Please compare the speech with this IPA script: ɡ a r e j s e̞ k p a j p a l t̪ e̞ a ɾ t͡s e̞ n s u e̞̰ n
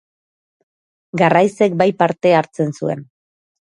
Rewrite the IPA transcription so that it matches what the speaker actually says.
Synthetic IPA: ɡ a r a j s e̞ k b a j p a ɾ t̪ e̞ a ɾ t͡s e̞ n s u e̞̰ n